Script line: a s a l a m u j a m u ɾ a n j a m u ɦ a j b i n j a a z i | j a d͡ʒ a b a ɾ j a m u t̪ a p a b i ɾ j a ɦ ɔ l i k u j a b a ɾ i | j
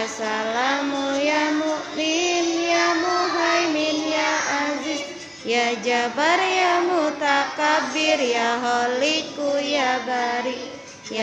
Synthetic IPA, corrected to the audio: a s a l a m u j a m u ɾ i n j a m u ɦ a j m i n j a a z i | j a d͡ʒ a b a ɾ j a m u t̪ a k a b i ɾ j a ɦ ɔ l i k u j a b a ɾ i | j